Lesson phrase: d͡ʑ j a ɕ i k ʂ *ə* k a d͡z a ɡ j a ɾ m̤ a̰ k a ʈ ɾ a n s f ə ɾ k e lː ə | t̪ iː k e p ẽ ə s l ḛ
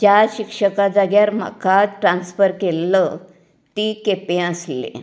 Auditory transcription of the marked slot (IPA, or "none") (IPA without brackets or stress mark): ə